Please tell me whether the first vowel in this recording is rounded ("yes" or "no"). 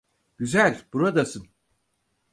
yes